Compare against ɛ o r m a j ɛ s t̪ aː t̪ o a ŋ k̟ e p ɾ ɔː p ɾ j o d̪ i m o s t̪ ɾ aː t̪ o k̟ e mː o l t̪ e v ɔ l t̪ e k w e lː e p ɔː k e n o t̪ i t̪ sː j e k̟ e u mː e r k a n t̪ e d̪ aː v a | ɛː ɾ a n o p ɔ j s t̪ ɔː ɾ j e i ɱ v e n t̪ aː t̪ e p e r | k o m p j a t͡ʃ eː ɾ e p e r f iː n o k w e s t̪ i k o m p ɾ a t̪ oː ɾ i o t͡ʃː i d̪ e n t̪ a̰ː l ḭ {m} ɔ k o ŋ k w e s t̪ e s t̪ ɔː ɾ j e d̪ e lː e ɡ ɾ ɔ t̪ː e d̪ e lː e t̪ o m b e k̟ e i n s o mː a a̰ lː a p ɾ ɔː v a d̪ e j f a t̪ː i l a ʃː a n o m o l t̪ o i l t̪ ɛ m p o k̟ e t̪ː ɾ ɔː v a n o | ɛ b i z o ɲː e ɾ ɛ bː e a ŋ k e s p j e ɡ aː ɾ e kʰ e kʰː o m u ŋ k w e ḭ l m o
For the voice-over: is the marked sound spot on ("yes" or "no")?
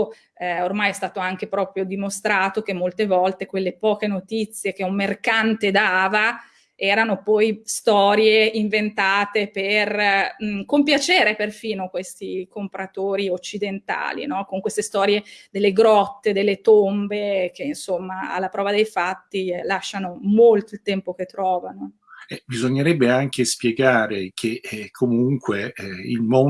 no